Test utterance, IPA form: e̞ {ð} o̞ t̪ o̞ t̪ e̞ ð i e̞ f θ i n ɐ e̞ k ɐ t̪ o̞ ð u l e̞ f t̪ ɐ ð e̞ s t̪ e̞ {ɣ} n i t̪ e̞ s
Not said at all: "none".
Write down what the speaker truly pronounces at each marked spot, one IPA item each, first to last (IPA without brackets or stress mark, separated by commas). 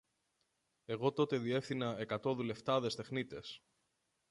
ɣ, x